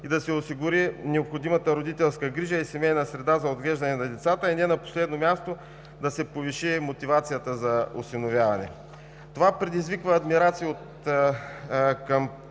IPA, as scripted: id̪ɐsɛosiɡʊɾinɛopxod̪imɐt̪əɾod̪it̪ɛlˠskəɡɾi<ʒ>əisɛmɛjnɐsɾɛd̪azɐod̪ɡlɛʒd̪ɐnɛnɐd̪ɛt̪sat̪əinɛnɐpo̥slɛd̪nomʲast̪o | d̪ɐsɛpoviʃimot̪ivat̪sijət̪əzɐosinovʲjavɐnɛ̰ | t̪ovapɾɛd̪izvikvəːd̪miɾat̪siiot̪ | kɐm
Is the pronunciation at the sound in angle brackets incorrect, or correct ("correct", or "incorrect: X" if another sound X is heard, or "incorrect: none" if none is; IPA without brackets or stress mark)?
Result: correct